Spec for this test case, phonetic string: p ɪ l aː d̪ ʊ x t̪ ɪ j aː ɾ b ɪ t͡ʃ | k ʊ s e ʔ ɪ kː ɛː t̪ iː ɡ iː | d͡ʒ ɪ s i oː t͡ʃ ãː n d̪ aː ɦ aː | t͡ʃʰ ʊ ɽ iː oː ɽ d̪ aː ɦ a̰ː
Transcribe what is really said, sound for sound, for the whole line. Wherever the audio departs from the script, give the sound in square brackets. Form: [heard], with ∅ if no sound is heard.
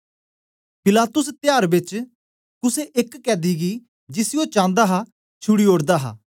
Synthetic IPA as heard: p ɪ l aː [t̪] ʊ [s] t̪ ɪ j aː ɾ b ɪ t͡ʃ | k ʊ s e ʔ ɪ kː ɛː [d̪] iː ɡ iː | d͡ʒ ɪ s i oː t͡ʃ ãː n d̪ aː ɦ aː | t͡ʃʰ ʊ ɽ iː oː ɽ d̪ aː ɦ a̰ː